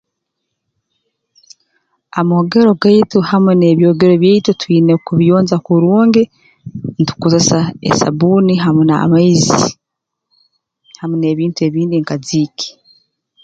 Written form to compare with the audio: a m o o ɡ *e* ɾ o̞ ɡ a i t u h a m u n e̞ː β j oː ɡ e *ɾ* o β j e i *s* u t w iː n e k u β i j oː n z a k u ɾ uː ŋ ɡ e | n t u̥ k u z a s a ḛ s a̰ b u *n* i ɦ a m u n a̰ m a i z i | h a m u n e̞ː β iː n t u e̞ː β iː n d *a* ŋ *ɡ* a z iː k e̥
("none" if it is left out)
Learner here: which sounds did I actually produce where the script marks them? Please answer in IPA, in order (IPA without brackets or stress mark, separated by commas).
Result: e, ɾ, t, n, i, k